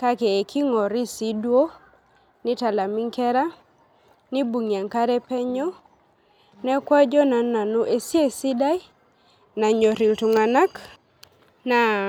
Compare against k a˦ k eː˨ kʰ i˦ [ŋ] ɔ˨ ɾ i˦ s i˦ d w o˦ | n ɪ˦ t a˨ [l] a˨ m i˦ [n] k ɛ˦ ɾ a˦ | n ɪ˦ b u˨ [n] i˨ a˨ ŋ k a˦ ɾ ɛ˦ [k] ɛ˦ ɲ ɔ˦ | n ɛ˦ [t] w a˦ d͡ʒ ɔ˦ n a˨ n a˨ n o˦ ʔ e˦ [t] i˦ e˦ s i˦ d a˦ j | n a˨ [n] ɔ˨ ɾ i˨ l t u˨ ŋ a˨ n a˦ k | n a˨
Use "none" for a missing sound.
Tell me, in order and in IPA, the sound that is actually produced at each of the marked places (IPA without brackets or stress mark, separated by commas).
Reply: ŋ, l, ŋ, ŋ, p, k, s, ɲ